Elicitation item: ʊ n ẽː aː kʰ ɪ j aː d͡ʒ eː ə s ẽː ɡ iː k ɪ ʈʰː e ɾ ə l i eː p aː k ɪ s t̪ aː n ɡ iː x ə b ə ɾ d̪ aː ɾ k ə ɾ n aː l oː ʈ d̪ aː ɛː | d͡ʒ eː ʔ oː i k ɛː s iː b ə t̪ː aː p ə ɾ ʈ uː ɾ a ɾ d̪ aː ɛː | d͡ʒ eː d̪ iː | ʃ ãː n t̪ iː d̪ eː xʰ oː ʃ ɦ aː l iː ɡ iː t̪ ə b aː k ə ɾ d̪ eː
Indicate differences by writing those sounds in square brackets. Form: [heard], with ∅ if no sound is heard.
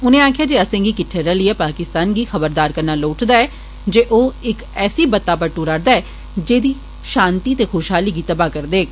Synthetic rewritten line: ʊ n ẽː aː kʰ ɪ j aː d͡ʒ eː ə s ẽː ɡ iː k ɪ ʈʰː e ɾ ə l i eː p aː k ɪ s t̪ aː n ɡ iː x ə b ə ɾ d̪ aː ɾ k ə ɾ n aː l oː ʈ d̪ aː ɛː | d͡ʒ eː ʔ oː [ɪ] k ɛː s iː b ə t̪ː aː p ə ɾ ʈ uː ɾ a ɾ d̪ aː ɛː | d͡ʒ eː d̪ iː | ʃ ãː n t̪ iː [t̪] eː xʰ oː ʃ ɦ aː l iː ɡ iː t̪ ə b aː k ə ɾ d̪ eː